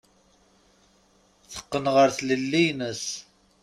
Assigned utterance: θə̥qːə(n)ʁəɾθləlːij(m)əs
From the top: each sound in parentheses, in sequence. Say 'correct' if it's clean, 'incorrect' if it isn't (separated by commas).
correct, incorrect